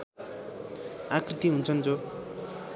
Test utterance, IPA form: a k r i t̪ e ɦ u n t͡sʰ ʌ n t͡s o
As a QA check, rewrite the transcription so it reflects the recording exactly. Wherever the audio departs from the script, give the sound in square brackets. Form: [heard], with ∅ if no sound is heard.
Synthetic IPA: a k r i t̪ [i] ɦ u n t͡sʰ ʌ n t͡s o